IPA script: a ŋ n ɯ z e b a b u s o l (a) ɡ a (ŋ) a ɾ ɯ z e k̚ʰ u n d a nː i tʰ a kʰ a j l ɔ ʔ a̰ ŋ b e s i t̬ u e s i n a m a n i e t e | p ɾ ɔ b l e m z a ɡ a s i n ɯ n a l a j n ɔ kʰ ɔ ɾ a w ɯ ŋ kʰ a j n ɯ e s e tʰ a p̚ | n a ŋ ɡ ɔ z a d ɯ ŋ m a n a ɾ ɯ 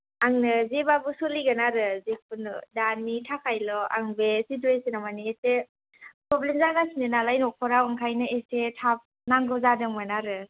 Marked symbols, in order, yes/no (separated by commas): no, no